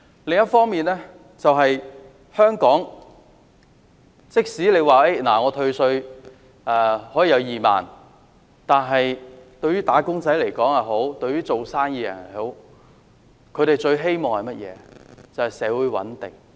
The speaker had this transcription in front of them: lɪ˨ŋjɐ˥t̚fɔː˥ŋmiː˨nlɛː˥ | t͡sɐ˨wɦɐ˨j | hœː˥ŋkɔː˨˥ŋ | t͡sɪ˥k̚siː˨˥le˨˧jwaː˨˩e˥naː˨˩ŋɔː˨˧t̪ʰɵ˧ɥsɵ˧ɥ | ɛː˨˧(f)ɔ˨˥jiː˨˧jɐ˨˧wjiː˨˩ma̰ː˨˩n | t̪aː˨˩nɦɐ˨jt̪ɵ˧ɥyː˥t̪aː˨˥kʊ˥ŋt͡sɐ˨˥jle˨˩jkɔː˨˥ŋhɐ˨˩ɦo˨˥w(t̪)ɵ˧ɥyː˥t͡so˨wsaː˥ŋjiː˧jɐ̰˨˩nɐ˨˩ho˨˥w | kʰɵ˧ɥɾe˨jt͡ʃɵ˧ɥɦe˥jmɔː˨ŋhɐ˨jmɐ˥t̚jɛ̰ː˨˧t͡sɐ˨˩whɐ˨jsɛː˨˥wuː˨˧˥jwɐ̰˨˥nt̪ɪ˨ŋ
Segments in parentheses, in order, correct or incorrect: incorrect: h, correct

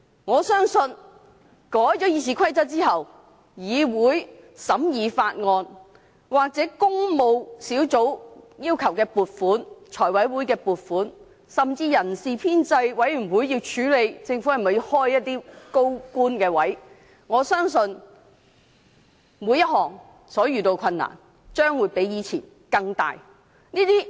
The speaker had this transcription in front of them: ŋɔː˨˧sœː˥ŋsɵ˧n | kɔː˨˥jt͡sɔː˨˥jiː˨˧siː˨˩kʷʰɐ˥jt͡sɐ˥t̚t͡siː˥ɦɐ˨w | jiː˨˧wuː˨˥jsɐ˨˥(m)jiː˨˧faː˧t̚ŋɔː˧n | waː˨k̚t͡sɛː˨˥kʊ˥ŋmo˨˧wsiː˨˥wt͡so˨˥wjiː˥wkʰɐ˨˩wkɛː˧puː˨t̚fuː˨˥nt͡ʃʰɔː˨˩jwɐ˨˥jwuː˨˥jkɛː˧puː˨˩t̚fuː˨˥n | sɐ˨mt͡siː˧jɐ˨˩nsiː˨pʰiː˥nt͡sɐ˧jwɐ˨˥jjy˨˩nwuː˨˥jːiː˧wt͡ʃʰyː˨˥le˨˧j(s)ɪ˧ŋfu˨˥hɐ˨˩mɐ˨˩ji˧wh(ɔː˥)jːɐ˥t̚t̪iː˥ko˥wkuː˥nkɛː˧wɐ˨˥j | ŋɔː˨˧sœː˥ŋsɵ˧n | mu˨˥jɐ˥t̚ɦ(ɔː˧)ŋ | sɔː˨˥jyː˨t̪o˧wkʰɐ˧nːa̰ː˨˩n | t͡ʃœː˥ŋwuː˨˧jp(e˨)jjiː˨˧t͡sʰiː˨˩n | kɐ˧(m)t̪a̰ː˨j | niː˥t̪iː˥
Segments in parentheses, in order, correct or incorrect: correct, incorrect: t͡s, correct, incorrect: ɔː˨˩, incorrect: e˨˥, incorrect: ŋ

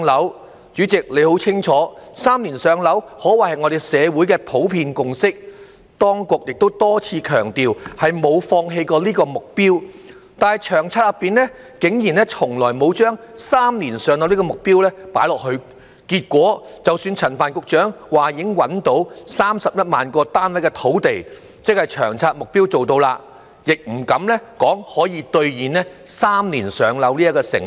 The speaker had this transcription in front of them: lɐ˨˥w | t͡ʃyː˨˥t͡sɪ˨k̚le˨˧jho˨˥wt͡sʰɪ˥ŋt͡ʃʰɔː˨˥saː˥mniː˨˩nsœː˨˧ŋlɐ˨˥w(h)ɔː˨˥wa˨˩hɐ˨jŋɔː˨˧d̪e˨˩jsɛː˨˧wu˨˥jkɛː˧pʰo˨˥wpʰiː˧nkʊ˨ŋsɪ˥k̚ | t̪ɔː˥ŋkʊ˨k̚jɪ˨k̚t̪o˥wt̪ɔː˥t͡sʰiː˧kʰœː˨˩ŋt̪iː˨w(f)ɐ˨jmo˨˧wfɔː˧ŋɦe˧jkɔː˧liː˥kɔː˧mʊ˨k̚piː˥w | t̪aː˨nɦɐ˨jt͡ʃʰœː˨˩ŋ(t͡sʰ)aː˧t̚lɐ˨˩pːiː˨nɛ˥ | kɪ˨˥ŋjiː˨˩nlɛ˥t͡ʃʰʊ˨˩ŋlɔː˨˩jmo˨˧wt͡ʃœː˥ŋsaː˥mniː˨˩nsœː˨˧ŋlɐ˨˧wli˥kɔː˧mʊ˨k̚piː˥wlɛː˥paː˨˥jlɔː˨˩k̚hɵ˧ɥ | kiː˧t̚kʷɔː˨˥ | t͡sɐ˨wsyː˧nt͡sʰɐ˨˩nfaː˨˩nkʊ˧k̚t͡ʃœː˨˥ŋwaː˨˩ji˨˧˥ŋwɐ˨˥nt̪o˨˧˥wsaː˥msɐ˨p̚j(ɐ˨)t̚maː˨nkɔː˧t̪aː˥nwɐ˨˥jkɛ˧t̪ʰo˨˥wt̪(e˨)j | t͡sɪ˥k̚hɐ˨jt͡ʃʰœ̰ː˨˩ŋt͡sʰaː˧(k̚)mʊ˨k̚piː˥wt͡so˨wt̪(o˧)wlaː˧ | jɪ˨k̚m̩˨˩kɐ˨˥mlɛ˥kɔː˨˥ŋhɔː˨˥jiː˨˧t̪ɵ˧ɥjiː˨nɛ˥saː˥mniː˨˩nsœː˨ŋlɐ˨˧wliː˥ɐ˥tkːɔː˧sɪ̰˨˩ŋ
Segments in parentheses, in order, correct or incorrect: correct, incorrect: h, correct, incorrect: ɐ˥, correct, incorrect: t̚, correct

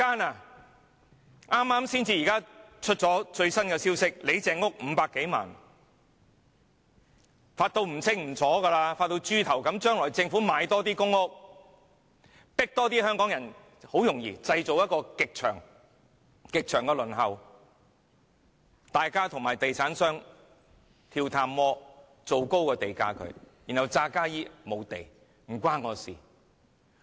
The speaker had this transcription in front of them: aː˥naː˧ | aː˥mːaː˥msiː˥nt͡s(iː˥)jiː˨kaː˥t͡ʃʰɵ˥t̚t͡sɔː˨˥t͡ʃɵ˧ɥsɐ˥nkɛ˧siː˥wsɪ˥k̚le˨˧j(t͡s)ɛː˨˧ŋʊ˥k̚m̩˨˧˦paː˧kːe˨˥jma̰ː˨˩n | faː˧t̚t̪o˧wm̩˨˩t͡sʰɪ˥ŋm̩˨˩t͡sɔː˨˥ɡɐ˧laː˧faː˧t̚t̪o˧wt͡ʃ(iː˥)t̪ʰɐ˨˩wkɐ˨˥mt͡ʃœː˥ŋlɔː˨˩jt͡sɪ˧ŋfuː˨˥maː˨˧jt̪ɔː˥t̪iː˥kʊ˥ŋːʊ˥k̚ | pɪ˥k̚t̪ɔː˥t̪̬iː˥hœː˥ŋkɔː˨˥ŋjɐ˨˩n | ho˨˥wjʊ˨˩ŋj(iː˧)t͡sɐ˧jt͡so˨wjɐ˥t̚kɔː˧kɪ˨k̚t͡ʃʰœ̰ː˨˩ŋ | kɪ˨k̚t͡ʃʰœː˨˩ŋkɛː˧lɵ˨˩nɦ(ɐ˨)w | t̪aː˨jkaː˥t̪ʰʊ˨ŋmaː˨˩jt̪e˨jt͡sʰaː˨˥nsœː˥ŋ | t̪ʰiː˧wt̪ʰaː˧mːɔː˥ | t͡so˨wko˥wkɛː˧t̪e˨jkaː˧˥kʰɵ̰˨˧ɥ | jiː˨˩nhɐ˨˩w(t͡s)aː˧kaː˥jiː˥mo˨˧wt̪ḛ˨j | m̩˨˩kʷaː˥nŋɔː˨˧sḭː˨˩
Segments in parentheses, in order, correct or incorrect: incorrect: iː˧, correct, incorrect: yː˥, correct, correct, correct

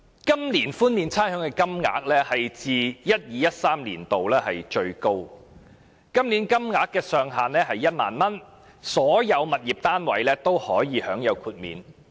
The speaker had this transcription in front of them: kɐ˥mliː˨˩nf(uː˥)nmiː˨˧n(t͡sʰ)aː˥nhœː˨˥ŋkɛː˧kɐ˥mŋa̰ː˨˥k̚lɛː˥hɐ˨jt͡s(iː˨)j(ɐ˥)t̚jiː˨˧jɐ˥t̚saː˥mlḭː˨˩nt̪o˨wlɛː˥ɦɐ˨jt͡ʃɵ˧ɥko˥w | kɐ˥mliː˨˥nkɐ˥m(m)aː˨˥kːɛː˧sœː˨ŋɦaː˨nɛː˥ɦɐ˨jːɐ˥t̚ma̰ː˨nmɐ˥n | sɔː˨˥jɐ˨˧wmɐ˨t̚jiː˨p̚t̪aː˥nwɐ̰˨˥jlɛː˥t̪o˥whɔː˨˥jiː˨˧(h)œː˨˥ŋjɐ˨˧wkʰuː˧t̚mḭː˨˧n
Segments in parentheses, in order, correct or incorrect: correct, correct, correct, correct, incorrect: ŋ, correct

